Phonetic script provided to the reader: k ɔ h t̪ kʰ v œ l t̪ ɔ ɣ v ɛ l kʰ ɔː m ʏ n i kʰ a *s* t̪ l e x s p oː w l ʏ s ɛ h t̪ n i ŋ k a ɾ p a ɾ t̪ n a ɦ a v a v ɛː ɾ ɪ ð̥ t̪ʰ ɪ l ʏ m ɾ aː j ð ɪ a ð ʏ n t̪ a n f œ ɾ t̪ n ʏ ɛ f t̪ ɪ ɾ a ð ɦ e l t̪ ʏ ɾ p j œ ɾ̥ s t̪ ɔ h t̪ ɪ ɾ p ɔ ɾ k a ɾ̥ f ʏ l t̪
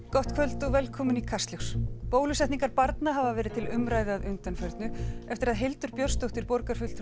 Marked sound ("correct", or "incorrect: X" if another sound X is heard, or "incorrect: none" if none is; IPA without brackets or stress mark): correct